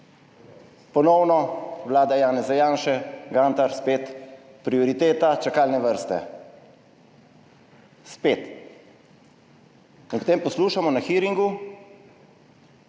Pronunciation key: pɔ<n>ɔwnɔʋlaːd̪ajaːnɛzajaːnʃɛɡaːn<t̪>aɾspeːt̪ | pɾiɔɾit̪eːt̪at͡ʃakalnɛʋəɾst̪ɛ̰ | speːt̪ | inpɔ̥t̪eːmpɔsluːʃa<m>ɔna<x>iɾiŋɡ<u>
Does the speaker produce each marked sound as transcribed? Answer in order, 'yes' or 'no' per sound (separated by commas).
yes, yes, yes, yes, yes